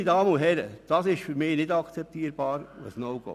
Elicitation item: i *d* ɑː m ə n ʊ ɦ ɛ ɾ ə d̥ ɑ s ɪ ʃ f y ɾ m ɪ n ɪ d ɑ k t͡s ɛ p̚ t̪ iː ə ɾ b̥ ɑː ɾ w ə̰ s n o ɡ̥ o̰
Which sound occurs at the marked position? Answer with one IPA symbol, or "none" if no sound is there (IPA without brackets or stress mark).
d